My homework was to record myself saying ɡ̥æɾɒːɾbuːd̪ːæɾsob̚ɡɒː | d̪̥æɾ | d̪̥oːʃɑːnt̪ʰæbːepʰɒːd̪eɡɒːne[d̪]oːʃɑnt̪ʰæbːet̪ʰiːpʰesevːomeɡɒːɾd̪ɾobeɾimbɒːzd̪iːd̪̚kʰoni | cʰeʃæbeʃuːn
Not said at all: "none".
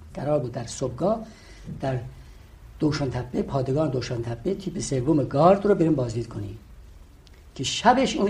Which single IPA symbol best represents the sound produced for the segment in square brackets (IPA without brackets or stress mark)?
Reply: d̪